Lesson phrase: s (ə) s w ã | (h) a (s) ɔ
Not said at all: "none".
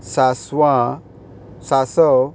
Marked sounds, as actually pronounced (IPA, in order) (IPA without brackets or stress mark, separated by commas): a, s, s